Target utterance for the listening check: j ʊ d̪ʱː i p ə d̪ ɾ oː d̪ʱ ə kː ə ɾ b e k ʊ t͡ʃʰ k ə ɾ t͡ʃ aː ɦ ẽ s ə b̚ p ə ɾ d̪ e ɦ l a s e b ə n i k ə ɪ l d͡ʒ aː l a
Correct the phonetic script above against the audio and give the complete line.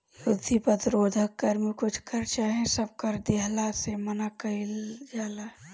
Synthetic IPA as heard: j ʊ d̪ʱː i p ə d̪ ɾ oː d̪ʱ ə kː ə ɾ m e k ʊ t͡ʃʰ k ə ɾ t͡ʃ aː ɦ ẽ s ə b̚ k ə ɾ d̪ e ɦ l a s e m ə n a k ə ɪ l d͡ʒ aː l a